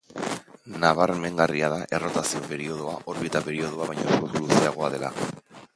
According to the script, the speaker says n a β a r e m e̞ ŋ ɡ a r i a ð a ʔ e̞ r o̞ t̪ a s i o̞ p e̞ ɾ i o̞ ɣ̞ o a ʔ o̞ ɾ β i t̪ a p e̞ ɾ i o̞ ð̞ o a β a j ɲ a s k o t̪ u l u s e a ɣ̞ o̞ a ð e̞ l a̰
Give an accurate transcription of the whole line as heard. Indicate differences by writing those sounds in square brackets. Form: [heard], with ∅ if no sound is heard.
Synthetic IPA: n a β a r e m e̞ ŋ ɡ a r i a ð a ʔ e̞ r o̞ t̪ a s i o̞ p e̞ ɾ i o̞ [ð̞] o a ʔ o̞ ɾ β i t̪ a p e̞ ɾ i o̞ ð̞ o a β a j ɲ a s k o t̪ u l u s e a ɣ̞ o̞ a ð e̞ l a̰